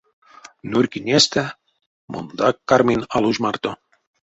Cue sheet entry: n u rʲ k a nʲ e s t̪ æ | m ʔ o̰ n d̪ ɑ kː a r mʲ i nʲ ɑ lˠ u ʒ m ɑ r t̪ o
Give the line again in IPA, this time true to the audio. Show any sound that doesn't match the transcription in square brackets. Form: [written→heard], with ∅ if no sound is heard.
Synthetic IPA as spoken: n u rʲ k [a→i] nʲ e s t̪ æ | m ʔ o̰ n d̪ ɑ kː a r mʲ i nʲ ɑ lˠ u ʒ m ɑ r t̪ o